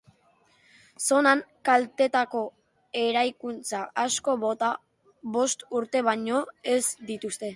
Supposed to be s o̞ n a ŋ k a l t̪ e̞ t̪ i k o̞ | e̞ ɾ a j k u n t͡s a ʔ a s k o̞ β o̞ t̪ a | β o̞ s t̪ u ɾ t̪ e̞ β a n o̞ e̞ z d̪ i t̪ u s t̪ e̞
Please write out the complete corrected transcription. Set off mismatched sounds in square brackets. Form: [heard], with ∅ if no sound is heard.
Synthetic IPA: s o̞ n a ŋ k a l t̪ e̞ t̪ [a] k o̞ | e̞ ɾ a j k u n t͡s a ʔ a s k o̞ β o̞ t̪ a | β o̞ s t̪ u ɾ t̪ e̞ β a [ɲ] o̞ e̞ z d̪ i t̪ u s t̪ e̞